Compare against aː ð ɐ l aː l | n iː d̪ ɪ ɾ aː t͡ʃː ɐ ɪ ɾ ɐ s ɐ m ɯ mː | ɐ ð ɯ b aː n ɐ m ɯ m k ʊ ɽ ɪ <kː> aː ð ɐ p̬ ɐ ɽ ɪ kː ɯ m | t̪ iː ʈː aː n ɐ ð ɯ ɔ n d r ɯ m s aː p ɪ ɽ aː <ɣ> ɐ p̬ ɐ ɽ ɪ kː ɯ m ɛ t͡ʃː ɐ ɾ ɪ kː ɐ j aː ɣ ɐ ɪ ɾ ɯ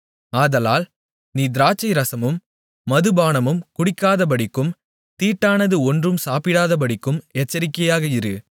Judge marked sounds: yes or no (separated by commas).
yes, no